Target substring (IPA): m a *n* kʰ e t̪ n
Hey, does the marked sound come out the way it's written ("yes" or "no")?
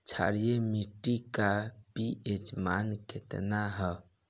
yes